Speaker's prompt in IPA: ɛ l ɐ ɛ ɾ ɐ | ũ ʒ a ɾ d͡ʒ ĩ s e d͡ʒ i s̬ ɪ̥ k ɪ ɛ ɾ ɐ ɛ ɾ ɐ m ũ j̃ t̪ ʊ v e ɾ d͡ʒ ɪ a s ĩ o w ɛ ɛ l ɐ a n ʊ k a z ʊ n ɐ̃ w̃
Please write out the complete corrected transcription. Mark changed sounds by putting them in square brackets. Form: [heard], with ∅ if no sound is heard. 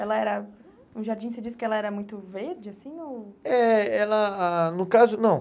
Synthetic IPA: ɛ l ɐ ɛ ɾ ɐ | ũ ʒ a ɾ d͡ʒ ĩ s e d͡ʒ i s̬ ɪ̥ k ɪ ɛ [l] ɐ ɛ ɾ ɐ m ũ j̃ t̪ ʊ v e ɾ d͡ʒ ɪ a s ĩ o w ɛ ɛ l ɐ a n ʊ k a z ʊ n ɐ̃ w̃

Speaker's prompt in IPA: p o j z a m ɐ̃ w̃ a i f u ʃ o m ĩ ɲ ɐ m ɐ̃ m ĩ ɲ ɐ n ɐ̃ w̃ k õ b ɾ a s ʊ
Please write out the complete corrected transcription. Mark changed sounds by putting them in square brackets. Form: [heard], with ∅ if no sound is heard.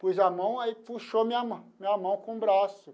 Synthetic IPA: p o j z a m ɐ̃ w̃ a i f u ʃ o m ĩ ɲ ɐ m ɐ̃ m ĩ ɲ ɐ [m] ɐ̃ w̃ k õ b ɾ a s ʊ

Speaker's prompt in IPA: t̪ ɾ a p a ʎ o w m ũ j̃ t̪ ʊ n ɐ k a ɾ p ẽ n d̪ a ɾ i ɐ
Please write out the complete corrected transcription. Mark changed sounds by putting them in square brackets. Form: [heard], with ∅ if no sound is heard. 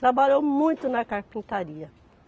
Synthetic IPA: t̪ ɾ a [b] a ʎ o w m ũ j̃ t̪ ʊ n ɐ k a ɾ p [ĩ] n [t̪] a ɾ i ɐ

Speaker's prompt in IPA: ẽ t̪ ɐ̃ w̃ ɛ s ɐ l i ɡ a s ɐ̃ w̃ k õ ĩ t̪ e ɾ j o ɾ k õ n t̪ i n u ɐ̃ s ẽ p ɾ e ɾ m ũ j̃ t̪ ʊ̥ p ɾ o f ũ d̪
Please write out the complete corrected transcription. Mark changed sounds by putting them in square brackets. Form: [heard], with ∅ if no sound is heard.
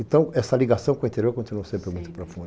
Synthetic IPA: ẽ t̪ ɐ̃ w̃ ɛ s ɐ l i ɡ a s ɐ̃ w̃ k õ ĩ t̪ e ɾ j o ɾ k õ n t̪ i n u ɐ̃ s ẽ p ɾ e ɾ m ũ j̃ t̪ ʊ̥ p ɾ o f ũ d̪

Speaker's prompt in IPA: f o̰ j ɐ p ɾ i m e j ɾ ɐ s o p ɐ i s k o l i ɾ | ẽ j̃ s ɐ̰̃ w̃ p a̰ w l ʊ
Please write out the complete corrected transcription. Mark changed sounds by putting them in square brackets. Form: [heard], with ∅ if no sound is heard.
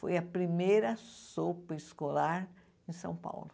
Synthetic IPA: f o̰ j ɐ p ɾ i m e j ɾ ɐ s o p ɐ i s k o l [a] ɾ | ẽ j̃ s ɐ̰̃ w̃ p a̰ w l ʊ

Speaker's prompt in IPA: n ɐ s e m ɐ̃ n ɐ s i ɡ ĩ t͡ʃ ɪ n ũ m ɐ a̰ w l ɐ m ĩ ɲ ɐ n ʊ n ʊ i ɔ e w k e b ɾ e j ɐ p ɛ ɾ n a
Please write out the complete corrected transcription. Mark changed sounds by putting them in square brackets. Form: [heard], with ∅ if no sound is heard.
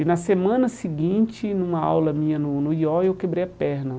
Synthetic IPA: n ɐ s e m ɐ̃ n ɐ s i ɡ ĩ t͡ʃ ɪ n ũ m ɐ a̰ w l ɐ m ĩ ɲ ɐ n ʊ n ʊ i ɔ e w k e b ɾ e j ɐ p ɛ ɾ n [ɐ]

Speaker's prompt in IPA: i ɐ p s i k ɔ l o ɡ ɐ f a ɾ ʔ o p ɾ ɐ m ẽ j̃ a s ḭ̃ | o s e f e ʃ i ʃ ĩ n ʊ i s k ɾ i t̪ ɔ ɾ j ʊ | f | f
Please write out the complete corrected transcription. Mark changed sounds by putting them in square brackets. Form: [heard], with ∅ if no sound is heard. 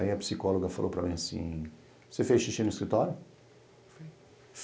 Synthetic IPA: i ɐ p s i k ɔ l o ɡ ɐ f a [l] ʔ o p ɾ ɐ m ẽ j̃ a s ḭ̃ | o s e f e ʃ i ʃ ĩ n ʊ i s k ɾ i t̪ ɔ ɾ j ʊ | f | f

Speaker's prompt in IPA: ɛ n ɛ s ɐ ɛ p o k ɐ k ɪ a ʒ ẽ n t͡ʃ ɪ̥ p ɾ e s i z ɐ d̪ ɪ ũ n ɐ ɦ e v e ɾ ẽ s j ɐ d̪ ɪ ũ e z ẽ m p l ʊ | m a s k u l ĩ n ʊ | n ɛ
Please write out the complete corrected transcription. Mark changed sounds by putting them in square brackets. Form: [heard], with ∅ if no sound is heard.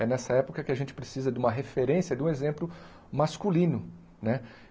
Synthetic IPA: ɛ n ɛ s ɐ ɛ p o k ɐ k ɪ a ʒ ẽ n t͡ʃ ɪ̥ p ɾ e s i z ɐ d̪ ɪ ũ [m] ɐ ɦ e [f] e ɾ ẽ s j ɐ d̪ ɪ ũ e z ẽ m p l ʊ | m a s k u l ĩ n ʊ | n ɛ

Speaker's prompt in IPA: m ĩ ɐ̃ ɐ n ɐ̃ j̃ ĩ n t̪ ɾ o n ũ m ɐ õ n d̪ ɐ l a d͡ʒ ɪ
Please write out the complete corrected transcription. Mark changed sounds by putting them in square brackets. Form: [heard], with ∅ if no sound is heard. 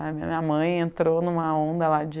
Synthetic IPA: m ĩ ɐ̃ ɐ [m] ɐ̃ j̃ [ẽ] n t̪ ɾ o n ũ m ɐ õ n d̪ ɐ l a d͡ʒ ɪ

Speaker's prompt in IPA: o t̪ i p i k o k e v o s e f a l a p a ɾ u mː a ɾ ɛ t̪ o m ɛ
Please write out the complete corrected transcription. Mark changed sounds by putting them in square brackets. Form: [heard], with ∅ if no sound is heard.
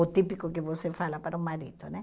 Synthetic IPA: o t̪ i p i k o k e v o s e f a l a p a ɾ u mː a ɾ [i] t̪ o [n] ɛ

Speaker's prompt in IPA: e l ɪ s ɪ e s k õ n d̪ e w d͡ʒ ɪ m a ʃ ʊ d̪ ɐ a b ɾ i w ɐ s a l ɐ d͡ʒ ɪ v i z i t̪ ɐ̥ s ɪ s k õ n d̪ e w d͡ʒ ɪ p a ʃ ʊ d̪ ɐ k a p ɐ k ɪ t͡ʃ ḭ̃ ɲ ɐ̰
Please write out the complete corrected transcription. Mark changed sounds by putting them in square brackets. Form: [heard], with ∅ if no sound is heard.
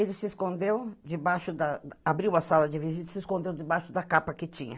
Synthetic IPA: e l ɪ s ɪ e s k õ n d̪ e w d͡ʒ ɪ [b] a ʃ ʊ d̪ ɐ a b ɾ i w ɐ s a l ɐ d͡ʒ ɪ v i z i t̪ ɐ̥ s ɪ s k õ n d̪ e w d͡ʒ ɪ [b] a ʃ ʊ d̪ ɐ k a p ɐ k ɪ t͡ʃ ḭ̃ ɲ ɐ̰

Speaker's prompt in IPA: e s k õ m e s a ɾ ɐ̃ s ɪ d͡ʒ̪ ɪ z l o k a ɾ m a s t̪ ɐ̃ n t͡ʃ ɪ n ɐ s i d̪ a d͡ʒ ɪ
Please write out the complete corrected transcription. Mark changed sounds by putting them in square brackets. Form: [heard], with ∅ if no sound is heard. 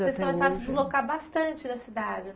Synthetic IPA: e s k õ m e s a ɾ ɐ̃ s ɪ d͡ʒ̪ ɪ z l o k a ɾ [b] a s t̪ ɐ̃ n t͡ʃ ɪ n ɐ s i d̪ a d͡ʒ ɪ

